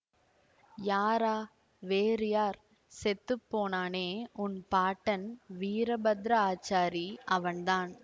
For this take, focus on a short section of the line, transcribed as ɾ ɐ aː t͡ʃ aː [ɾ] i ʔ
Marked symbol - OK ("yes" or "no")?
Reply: yes